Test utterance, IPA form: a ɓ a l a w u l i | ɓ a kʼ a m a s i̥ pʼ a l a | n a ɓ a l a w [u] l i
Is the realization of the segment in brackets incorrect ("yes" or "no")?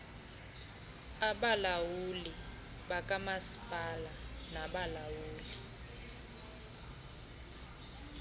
yes